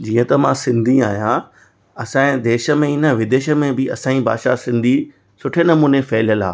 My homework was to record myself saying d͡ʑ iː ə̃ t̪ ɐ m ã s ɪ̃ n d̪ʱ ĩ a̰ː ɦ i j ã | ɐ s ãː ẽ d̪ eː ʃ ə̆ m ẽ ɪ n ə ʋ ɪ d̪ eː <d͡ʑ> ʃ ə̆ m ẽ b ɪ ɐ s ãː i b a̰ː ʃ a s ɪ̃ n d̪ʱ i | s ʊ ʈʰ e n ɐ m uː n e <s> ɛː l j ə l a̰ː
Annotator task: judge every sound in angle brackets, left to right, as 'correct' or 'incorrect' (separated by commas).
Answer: incorrect, incorrect